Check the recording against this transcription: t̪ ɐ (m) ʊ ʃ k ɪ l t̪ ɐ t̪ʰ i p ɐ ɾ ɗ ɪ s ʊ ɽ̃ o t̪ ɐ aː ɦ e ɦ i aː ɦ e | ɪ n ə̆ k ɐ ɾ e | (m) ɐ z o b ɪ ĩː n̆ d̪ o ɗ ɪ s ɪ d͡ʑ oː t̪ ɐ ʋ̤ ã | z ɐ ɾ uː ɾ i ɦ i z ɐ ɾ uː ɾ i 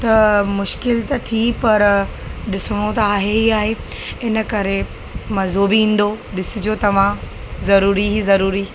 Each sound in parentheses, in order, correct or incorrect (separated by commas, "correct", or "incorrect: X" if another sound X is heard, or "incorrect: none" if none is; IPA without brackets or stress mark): correct, correct